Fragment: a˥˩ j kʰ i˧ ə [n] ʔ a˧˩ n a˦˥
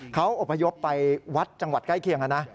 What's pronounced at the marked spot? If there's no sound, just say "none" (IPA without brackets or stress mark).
ŋ